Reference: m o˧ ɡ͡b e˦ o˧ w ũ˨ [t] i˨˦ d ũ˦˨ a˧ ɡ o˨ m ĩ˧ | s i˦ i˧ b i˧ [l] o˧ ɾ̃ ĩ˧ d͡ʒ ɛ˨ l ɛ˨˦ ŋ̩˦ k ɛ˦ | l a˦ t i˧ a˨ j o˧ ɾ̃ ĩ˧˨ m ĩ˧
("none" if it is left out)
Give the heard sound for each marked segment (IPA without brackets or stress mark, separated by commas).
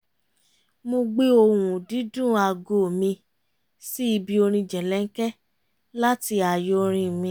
d, none